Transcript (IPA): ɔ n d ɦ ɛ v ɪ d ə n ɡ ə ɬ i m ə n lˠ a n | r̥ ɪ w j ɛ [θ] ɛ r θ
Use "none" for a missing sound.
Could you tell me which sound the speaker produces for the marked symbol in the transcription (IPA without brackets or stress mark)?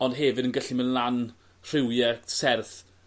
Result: s